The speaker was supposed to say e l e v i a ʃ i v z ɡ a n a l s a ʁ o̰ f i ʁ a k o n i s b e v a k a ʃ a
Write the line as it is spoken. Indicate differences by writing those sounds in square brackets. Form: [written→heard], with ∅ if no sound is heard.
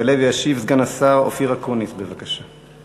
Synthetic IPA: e l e v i a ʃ i v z ɡ a n a [l→∅] s a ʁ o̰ f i ʁ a k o n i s b e v a k a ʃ a